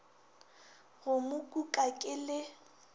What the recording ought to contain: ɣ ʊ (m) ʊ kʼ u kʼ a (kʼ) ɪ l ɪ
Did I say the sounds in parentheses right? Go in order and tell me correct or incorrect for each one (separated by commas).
correct, correct